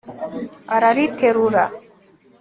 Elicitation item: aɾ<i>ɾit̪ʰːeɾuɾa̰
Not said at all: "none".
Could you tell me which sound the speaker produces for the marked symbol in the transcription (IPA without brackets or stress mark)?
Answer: a